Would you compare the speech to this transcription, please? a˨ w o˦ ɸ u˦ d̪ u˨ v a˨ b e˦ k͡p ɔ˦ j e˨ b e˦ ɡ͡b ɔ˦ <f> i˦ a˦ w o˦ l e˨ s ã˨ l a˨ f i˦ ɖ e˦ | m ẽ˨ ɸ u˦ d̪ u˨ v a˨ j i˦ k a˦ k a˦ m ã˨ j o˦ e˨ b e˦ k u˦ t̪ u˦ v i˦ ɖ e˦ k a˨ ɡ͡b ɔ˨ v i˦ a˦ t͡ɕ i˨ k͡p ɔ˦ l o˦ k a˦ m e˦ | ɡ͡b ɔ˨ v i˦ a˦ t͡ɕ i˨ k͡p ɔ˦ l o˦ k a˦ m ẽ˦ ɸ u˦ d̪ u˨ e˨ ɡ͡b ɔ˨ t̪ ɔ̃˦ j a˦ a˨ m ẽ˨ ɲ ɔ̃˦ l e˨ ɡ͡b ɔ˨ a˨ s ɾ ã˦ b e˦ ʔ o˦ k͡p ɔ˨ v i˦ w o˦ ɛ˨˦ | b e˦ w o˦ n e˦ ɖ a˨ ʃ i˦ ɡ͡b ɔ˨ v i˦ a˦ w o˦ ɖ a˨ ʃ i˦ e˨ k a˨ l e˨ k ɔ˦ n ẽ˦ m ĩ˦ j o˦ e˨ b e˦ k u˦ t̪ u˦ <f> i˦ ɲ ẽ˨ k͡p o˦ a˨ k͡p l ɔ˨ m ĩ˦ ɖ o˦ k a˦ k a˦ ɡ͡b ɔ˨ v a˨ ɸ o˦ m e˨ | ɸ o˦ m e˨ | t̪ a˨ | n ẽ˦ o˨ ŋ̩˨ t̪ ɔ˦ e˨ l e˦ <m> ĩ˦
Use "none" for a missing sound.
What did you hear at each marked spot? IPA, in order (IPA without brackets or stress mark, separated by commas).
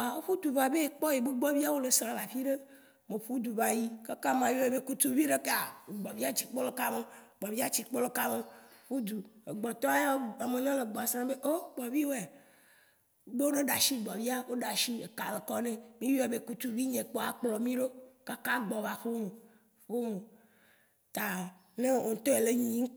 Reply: v, v, ɲ